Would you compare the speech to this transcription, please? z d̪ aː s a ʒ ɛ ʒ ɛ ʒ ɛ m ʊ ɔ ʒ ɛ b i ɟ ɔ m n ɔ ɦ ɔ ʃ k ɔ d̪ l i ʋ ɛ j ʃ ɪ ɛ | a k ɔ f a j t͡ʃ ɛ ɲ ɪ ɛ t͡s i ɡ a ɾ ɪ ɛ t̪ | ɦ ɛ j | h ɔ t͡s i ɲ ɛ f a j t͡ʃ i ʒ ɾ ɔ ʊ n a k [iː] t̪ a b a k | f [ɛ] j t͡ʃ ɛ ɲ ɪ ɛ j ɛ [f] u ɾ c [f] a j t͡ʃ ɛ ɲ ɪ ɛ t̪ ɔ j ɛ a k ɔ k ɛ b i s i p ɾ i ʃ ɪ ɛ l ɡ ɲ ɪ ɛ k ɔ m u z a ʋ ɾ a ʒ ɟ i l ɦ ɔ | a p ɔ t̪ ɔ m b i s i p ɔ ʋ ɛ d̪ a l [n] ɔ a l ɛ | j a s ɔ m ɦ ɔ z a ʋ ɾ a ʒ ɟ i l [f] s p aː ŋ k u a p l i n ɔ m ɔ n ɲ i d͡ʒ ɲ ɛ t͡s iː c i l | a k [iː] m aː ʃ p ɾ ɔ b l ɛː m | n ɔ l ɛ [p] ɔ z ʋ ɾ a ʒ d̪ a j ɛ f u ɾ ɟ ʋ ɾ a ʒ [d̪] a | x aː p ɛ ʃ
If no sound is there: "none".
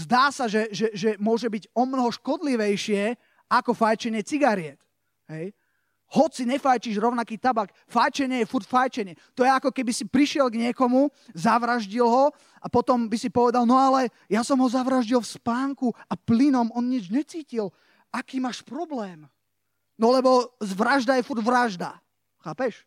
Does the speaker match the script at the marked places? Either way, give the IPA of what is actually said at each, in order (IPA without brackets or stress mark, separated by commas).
iː, a, f, f, n, f, iː, b, d̪